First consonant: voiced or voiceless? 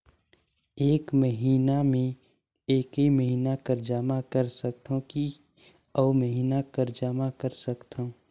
voiceless